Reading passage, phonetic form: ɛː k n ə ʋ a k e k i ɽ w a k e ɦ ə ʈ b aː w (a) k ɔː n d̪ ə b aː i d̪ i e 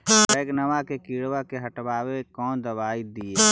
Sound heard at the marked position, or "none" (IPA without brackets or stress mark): e